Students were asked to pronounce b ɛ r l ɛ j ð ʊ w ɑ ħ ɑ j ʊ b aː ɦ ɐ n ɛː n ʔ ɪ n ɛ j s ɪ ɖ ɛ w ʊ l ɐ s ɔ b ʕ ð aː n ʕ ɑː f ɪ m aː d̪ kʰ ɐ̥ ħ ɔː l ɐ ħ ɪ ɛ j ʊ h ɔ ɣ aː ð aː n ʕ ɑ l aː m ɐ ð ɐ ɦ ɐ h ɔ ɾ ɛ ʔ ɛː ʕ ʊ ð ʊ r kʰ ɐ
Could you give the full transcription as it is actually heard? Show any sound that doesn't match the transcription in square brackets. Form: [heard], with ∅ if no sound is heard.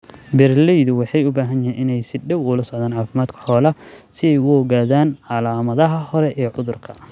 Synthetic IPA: b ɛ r l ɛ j ð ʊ w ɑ ħ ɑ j ʊ b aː ɦ ɐ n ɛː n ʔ ɪ n ɛ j s ɪ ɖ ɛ w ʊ l ɐ s ɔ [∅] ʕ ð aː n ʕ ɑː f ɪ m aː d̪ kʰ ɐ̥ ħ ɔː l ɐ [s] ɪ ɛ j ʊ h ɔ ɣ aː ð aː n ʕ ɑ l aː m ɐ ð ɐ ɦ ɐ h ɔ ɾ ɛ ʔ ɛː ʕ ʊ ð ʊ r kʰ ɐ